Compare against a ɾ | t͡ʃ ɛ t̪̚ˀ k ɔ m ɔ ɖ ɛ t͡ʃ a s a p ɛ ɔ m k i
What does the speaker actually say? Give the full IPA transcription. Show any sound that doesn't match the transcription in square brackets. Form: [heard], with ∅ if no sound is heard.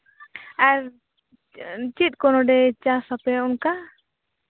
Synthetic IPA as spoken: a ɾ | t͡ʃ [i] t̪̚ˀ k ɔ [n] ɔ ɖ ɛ t͡ʃ a s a p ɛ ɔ [n] k [a]